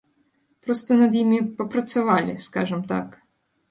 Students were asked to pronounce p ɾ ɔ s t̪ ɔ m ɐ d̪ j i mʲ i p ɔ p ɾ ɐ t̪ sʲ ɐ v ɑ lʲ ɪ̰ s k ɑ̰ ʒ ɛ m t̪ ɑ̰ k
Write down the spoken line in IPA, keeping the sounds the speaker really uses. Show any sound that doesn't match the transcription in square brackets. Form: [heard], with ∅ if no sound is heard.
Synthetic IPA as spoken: p ɾ ɔ s t̪ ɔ [n] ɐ d̪ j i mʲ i p ɔ p ɾ ɐ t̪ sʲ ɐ [ʋ] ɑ lʲ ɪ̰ s k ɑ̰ ʒ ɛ m t̪ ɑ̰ k